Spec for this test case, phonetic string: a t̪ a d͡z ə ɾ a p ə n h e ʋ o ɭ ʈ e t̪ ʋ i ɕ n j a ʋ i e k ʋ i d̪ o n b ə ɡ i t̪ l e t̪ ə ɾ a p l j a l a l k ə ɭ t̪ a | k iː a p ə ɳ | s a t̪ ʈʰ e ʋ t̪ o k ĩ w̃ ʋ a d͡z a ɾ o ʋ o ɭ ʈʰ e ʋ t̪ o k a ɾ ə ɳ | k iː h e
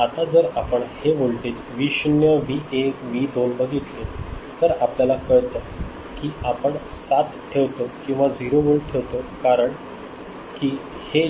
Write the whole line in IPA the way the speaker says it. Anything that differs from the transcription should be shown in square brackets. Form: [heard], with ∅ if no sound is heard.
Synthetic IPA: a t̪ a d͡z ə ɾ a p ə [ɳ] h e ʋ o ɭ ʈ e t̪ ʋ i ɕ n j [ə] ʋ i e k ʋ i d̪ o n b ə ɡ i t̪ l e t̪ ə ɾ a p l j a l a [∅] k ə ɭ t̪ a | k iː a p ə ɳ | s a t̪ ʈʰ e ʋ t̪ o k ĩ w̃ ʋ a d͡z [i] ɾ o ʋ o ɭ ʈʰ e ʋ t̪ o k a ɾ ə ɳ | k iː h e